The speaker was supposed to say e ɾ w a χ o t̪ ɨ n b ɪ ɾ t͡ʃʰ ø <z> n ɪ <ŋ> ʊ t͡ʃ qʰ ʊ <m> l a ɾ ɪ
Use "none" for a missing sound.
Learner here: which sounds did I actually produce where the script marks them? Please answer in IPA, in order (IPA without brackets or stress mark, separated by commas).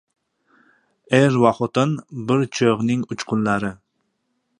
ʁ, ŋ, n